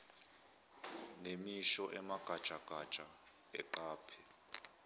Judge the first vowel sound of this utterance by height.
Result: mid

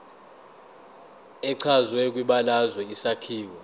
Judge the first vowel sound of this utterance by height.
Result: mid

